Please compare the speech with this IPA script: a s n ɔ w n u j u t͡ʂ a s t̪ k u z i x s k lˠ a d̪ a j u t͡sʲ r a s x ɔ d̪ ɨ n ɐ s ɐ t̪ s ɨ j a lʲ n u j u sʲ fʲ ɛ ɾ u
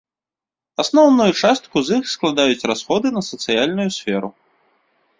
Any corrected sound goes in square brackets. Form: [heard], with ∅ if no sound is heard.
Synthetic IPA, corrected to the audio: a s n ɔ w n u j u t͡ʂ a s t̪ k u z i x s k lˠ a d̪ a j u t͡sʲ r a s x ɔ d̪ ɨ n ɐ s ɐ t̪ s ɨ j a lʲ n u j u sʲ fʲ ɛ ɾ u

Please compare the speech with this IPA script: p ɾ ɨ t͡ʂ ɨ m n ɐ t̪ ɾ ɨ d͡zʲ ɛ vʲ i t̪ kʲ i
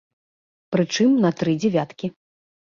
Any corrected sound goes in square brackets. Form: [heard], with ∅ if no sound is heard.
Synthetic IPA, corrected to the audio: p ɾ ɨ t͡ʂ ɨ m n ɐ t̪ ɾ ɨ d͡zʲ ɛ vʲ [a] t̪ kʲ i

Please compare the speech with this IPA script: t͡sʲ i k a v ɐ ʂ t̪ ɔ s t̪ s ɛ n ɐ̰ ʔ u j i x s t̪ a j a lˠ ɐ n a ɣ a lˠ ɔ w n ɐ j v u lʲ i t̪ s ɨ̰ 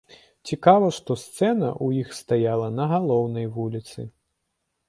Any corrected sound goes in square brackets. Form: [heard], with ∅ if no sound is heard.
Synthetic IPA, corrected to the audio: t͡sʲ i k a v ɐ ʂ t̪ ɔ s t̪ s ɛ n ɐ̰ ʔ u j i x s t̪ a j a lˠ ɐ n [ɐ] ɣ a lˠ ɔ w n ɐ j v u lʲ i t̪ s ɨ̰

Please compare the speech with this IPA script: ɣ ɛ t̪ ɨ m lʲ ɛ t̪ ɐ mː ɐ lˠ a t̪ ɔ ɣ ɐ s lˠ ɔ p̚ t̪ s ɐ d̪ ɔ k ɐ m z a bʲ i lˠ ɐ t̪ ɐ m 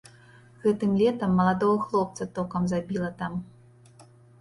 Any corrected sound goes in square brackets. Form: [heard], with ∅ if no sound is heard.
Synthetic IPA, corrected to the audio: ɣ ɛ t̪ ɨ m lʲ ɛ t̪ ɐ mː ɐ lˠ a [d̪] ɔ ɣ ɐ [x] lˠ ɔ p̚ t̪ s ɐ [t̪] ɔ k ɐ m z a bʲ i lˠ ɐ t̪ [a] m

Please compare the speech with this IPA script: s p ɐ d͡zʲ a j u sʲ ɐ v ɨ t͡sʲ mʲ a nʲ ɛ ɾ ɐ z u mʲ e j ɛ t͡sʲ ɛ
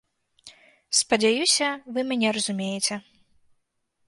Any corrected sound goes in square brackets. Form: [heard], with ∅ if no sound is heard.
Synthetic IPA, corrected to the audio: s p ɐ d͡zʲ a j u sʲ ɐ v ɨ [∅] mʲ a nʲ ɛ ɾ ɐ z u mʲ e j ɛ t͡sʲ ɛ

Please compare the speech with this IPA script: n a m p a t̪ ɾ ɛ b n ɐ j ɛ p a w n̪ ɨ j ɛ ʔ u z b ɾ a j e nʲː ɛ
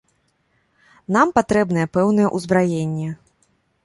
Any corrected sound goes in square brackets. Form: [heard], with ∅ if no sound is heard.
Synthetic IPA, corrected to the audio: n a m p a t̪ ɾ ɛ b n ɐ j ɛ p [ɛ] w n̪ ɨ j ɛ ʔ u z b ɾ a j e nʲː ɛ

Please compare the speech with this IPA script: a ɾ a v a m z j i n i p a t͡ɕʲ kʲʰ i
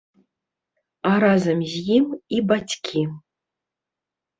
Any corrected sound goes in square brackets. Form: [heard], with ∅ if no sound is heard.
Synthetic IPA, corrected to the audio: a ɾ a [z] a m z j i [m] i [b] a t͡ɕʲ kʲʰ i

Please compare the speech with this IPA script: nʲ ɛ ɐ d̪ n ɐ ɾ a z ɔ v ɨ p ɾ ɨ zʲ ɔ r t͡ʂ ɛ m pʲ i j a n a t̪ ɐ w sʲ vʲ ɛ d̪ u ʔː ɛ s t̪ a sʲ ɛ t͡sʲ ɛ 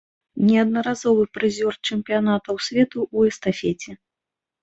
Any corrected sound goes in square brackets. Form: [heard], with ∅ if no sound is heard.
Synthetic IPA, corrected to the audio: nʲ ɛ ɐ d̪ n ɐ ɾ a z ɔ v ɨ p ɾ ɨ zʲ ɔ r t͡ʂ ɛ m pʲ i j a n a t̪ ɐ w sʲ vʲ ɛ [t̪] u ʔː ɛ s t̪ a [fʲ] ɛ t͡sʲ ɛ

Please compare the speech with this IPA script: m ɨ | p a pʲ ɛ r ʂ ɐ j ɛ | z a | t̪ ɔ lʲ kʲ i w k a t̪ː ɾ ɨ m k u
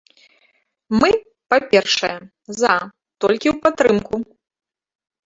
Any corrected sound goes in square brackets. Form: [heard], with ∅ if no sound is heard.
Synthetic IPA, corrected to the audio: m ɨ | p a pʲ ɛ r ʂ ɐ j ɛ | z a | t̪ ɔ lʲ kʲ i w [p] a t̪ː ɾ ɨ m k u

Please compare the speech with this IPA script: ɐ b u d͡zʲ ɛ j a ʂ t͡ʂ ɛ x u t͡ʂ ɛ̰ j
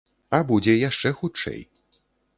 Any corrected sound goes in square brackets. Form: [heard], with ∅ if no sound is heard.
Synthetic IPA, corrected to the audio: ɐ b u d͡zʲ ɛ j a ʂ t͡ʂ ɛ x u t͡ʂ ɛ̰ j

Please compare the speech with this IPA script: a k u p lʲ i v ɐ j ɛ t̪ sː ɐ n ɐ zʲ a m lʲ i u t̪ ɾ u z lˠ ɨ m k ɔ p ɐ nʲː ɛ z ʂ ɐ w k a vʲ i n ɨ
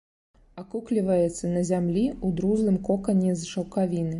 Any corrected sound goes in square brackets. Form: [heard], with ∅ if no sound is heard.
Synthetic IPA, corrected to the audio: a k u [k] lʲ i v ɐ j ɛ t̪ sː ɐ n ɐ zʲ a m lʲ i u [d̪] ɾ u z lˠ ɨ m k ɔ [k] ɐ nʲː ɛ z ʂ ɐ w k a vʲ i n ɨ

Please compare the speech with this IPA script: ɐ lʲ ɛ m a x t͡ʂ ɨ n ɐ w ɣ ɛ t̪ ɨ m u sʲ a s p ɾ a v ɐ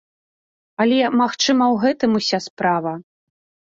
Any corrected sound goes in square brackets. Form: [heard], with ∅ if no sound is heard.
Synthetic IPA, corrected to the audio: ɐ lʲ ɛ m a x t͡ʂ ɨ [m] ɐ w ɣ ɛ t̪ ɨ m u sʲ a s p ɾ a v ɐ

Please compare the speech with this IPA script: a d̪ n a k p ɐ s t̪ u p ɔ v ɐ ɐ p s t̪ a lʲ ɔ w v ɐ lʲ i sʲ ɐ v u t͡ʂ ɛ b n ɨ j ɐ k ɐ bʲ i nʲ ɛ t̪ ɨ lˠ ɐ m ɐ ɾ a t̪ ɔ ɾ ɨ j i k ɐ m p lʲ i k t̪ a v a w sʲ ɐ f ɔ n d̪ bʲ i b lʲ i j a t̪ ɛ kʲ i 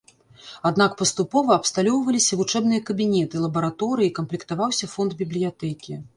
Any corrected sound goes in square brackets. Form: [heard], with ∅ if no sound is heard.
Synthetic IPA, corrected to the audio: a d̪ n a k p ɐ s t̪ u p ɔ v ɐ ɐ p s t̪ a lʲ ɔ w v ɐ lʲ i sʲ ɐ v u t͡ʂ ɛ b n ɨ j ɐ k ɐ bʲ i nʲ ɛ t̪ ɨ lˠ ɐ [b] ɐ ɾ a t̪ ɔ ɾ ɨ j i k ɐ m p lʲ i k t̪ a v a w sʲ ɐ f ɔ n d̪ bʲ i b lʲ i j a t̪ ɛ kʲ i

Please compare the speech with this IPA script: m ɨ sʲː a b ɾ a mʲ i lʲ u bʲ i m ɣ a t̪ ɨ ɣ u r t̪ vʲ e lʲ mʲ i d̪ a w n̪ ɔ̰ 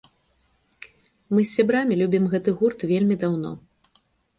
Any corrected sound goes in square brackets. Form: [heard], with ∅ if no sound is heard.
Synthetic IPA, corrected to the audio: m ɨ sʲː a b ɾ a mʲ i lʲ u bʲ i m ɣ [ɛ] t̪ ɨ ɣ u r t̪ vʲ e lʲ mʲ i d̪ a w n̪ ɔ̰

